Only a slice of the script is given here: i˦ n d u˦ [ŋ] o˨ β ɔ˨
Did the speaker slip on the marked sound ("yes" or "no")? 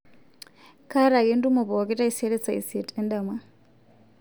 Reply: yes